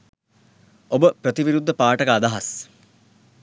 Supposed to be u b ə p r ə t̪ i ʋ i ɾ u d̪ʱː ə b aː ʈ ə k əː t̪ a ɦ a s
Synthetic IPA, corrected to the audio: o b ə p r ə t̪ i ʋ i ɾ u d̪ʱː ə p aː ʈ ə k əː d̪ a ɦ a s